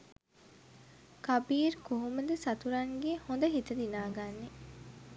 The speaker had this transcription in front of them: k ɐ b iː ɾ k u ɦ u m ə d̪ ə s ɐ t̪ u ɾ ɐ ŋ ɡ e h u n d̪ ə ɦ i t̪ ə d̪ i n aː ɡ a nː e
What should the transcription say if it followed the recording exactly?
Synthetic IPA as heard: k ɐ b iː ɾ k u ɦ u m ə d̪ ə s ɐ t̪ u ɾ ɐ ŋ ɡ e h o n d̪ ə ɦ i t̪ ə d̪ i n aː ɡ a nː e

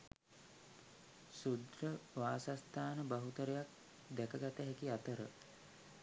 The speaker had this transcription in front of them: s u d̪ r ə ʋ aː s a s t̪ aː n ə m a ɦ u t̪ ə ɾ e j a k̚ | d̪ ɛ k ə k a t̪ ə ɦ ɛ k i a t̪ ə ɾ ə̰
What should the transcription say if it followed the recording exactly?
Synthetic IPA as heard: s u d̪ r ə ʋ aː s a s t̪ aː n ə b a ɦ u t̪ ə ɾ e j a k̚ | d̪ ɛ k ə ɡ a t̪ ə ɦ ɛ k i a t̪ ə ɾ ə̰

